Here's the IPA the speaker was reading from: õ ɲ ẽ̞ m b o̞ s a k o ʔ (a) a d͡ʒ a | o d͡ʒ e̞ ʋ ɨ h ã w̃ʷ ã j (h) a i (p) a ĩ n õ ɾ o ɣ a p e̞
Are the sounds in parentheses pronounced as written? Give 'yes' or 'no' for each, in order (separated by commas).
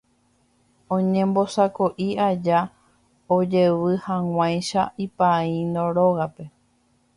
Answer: no, no, yes